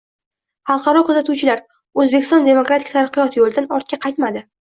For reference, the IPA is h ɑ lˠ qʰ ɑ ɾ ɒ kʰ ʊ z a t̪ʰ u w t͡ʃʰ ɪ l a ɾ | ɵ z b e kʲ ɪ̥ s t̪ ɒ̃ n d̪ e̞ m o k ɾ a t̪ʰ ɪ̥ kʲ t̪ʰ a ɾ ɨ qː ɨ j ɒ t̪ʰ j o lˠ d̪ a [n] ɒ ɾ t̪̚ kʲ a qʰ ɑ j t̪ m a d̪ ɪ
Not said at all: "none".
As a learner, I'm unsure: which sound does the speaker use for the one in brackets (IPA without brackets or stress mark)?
n